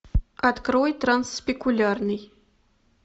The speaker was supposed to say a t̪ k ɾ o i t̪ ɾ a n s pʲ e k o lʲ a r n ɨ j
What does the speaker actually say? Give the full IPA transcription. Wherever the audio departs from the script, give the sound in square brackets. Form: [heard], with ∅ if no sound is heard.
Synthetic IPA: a t̪ k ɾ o [j] t̪ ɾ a n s pʲ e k [u] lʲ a r n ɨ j